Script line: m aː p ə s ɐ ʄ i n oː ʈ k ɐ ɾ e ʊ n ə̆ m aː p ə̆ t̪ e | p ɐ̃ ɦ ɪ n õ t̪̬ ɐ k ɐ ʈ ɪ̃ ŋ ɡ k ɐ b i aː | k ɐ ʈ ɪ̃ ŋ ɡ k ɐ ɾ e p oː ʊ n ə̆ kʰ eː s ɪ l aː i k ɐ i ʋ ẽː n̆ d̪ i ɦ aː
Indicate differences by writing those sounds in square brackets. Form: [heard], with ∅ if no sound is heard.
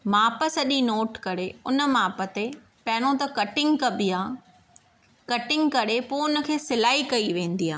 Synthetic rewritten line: m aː p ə s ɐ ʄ i n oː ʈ k ɐ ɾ e ʊ n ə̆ m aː p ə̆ t̪ e | p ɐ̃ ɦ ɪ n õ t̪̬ ɐ k ɐ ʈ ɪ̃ ŋ ɡ k ɐ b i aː | k ɐ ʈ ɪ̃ ŋ ɡ k ɐ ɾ e p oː ʊ n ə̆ kʰ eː s ɪ l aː i k ɐ i ʋ ẽː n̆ d̪ i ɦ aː